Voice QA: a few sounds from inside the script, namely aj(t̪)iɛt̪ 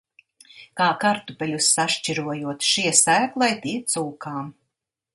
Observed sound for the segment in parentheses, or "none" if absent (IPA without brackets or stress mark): t̪